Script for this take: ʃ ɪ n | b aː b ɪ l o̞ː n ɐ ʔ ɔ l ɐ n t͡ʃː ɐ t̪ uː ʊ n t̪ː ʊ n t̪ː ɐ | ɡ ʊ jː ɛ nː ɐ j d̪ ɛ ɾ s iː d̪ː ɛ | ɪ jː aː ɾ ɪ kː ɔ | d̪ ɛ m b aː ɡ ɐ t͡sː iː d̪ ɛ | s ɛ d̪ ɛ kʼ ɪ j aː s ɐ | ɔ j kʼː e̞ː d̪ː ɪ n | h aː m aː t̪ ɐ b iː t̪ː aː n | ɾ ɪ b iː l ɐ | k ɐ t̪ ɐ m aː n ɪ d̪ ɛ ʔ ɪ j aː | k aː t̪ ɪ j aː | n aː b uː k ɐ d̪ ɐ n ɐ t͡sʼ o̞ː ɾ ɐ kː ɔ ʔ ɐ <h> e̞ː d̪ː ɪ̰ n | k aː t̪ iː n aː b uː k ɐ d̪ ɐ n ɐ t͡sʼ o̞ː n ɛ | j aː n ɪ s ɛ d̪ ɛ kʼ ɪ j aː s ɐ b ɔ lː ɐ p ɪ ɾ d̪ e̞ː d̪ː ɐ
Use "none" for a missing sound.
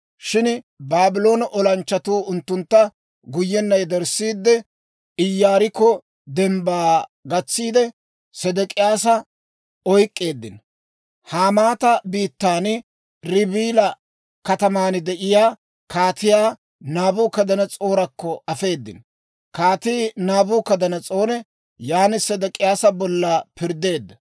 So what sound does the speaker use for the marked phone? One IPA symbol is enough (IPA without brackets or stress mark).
f